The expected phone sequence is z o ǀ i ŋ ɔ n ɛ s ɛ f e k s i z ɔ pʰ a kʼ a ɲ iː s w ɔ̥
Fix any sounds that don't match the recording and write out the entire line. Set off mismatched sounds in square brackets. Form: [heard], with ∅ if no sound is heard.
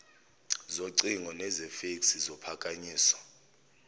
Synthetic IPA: z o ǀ i ŋ ɔ n ɛ [z] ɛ f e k s i z ɔ pʰ a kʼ a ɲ iː s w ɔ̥